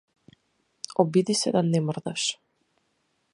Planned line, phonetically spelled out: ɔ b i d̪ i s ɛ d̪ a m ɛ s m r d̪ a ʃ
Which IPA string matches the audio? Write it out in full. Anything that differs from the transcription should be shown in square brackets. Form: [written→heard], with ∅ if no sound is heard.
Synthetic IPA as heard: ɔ b i d̪ i s ɛ d̪ a [m→n] ɛ [s→∅] m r d̪ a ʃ